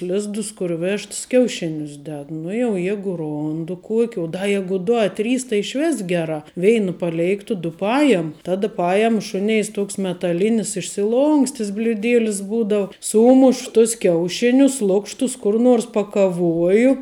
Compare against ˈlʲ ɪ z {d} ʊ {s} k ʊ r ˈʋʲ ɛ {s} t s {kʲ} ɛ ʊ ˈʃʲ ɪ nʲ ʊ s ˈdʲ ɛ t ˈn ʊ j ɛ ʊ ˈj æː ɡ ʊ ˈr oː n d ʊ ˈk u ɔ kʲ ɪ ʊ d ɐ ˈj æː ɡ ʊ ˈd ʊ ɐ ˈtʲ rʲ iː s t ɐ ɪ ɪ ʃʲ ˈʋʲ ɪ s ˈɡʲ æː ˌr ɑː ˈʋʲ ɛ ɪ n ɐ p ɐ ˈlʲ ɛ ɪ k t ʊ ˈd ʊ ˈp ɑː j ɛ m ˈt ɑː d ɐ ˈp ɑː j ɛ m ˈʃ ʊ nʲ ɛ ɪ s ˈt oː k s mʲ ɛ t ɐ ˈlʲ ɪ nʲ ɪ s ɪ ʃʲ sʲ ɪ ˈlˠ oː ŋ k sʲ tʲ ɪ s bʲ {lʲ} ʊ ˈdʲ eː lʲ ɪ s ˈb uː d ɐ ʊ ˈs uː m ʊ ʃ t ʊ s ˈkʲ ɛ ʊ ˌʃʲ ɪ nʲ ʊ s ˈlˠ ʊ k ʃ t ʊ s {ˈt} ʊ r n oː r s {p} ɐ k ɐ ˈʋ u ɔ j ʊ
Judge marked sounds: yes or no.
yes, yes, no, yes, yes, no, yes

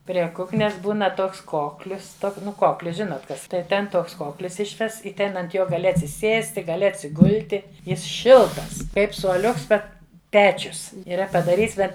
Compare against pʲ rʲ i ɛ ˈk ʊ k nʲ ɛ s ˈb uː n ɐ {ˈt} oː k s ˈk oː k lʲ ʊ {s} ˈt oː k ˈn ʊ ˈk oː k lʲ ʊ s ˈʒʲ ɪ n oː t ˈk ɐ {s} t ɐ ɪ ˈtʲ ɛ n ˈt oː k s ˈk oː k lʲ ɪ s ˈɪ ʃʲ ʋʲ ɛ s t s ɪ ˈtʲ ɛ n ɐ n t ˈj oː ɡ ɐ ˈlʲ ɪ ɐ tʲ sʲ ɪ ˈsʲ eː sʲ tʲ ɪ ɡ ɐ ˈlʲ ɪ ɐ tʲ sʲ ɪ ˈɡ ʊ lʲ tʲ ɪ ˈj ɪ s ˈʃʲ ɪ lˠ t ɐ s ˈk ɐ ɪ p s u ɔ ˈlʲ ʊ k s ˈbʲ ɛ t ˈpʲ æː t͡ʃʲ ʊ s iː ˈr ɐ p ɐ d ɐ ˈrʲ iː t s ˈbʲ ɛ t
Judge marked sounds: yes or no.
yes, yes, yes

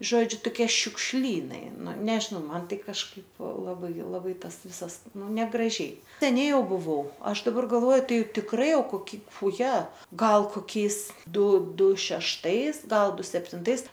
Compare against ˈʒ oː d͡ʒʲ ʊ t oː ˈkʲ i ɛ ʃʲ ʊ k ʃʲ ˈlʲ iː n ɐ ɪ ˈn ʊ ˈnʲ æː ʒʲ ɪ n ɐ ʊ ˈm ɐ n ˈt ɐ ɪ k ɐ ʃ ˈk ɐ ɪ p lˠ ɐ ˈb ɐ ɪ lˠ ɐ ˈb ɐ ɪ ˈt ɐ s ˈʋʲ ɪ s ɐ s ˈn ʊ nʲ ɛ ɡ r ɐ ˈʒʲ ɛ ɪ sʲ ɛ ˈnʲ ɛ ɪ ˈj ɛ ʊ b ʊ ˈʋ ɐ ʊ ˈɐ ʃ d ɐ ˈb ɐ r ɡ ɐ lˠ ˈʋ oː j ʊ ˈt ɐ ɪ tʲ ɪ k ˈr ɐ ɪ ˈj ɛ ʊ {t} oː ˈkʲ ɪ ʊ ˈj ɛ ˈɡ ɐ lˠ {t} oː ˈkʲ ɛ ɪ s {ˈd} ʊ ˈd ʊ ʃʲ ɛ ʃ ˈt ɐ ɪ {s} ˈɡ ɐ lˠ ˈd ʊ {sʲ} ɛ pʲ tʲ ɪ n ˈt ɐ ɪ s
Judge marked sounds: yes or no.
no, no, yes, yes, yes

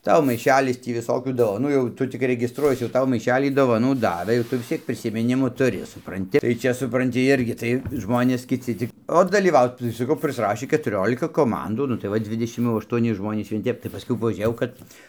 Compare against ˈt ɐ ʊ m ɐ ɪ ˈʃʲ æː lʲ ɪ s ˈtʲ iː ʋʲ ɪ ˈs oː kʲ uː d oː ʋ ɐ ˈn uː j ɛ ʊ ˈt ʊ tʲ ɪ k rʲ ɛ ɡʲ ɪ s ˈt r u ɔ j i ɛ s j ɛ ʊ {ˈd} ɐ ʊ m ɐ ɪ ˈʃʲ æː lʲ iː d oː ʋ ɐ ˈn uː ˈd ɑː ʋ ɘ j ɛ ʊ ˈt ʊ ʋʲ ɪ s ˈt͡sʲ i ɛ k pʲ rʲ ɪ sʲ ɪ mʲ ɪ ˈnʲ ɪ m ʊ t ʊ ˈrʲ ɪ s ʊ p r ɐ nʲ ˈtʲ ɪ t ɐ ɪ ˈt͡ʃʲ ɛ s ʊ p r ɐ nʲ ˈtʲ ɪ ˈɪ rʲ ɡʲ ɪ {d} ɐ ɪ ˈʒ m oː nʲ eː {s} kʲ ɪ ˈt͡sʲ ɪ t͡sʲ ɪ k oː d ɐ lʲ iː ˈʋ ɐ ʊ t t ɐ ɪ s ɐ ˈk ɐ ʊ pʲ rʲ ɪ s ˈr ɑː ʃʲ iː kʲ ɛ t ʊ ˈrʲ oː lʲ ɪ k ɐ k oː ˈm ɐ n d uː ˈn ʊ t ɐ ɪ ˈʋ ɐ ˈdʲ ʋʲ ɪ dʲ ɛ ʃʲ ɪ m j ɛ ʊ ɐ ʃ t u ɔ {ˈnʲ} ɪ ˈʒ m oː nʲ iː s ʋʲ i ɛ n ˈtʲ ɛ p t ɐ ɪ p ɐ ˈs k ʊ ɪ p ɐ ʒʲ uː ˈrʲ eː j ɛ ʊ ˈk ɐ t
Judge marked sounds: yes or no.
no, no, yes, yes

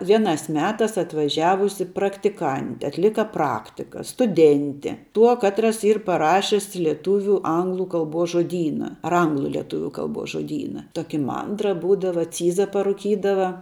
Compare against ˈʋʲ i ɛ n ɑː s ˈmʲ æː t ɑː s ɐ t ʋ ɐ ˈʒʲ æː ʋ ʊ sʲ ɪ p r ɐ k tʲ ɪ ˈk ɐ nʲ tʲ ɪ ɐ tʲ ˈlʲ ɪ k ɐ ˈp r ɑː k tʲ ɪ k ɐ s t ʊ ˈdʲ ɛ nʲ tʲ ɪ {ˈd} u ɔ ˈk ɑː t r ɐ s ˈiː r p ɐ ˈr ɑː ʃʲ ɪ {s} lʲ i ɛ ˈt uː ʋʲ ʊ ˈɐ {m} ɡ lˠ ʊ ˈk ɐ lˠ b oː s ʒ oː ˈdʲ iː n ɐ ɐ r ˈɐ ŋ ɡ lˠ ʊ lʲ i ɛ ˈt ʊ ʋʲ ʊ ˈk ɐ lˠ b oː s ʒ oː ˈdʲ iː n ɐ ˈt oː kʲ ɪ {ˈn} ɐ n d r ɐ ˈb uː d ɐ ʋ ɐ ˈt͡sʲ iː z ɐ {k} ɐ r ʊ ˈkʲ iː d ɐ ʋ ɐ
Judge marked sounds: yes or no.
no, yes, no, no, no

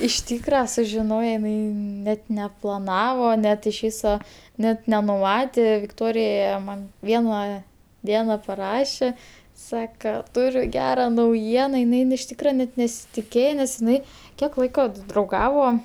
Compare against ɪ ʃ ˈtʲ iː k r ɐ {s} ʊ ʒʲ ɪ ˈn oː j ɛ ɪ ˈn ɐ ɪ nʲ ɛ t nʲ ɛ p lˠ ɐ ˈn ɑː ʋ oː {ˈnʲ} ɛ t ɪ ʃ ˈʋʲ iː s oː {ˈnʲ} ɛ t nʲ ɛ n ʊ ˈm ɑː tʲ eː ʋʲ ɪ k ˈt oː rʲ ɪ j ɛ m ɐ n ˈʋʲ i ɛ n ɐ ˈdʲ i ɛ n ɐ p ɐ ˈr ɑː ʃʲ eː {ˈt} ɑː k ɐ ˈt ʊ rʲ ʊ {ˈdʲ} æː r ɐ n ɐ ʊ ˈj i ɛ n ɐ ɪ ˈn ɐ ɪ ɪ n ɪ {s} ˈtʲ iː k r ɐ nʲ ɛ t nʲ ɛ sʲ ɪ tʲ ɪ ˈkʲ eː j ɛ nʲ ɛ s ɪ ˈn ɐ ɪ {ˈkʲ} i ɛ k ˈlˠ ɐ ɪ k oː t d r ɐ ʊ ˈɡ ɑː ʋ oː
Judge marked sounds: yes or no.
yes, yes, yes, no, no, no, yes

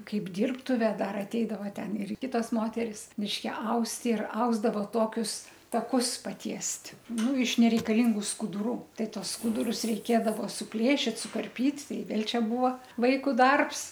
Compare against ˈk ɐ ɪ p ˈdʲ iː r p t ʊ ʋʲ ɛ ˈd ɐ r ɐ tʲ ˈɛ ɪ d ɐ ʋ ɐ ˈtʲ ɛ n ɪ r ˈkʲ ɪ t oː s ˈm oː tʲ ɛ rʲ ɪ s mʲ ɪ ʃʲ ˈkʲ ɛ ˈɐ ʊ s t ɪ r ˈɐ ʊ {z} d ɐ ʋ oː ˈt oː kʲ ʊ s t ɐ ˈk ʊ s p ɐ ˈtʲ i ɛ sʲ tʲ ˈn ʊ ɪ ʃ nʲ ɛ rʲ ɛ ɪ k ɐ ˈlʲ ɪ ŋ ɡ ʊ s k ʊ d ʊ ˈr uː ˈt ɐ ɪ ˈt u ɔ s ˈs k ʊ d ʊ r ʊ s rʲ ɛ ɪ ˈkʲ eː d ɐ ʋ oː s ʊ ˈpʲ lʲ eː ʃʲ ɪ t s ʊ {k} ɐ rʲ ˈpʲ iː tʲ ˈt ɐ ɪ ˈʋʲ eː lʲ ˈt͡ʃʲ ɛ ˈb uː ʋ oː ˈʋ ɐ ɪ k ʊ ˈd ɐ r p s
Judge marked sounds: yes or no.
yes, yes

